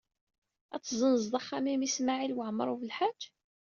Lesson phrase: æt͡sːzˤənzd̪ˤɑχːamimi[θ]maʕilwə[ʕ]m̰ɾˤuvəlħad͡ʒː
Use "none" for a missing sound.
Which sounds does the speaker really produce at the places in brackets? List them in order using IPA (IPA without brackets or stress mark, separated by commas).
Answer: s, ʕ